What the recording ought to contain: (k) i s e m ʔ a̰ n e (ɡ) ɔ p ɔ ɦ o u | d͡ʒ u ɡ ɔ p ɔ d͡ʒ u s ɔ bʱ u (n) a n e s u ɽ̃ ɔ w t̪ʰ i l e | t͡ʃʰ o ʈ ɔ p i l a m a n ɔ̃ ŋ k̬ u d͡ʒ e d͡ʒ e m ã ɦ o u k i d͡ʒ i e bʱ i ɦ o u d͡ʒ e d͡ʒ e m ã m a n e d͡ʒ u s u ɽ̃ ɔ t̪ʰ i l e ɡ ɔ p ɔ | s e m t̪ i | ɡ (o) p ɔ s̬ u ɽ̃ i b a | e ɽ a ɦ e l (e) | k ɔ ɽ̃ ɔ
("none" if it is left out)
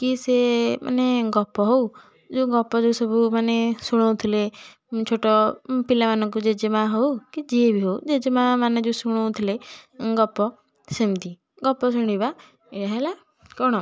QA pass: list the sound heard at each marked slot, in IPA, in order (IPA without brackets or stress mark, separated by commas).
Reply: k, ɡ, m, ɔ, a